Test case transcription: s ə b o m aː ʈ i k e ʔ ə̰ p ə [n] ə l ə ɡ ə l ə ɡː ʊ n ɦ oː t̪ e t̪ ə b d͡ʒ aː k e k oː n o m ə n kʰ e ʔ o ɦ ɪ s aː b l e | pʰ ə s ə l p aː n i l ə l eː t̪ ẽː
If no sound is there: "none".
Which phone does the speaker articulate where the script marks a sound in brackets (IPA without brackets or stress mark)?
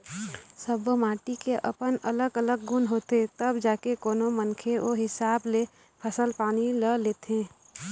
n